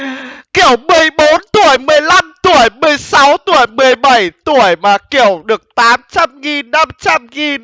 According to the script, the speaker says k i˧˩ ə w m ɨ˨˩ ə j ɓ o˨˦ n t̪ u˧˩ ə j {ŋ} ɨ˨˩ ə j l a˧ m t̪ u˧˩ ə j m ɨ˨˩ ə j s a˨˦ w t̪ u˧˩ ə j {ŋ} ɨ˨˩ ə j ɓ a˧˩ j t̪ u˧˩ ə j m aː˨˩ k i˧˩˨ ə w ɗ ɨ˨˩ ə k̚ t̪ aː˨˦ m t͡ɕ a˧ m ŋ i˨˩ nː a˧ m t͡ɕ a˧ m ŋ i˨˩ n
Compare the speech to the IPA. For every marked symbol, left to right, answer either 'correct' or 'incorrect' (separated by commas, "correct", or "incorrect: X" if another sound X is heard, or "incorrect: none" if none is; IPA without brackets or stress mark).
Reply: incorrect: m, incorrect: m